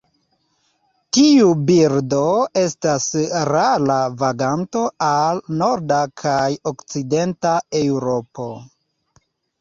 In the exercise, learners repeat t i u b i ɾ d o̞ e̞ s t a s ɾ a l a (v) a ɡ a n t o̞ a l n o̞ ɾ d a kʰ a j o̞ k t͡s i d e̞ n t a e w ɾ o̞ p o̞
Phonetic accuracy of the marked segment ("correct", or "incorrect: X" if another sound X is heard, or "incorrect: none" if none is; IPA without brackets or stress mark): correct